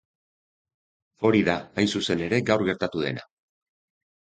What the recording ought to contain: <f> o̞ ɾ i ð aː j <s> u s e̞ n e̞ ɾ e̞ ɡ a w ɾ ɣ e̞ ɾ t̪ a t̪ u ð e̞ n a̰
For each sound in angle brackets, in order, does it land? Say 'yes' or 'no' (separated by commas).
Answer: yes, yes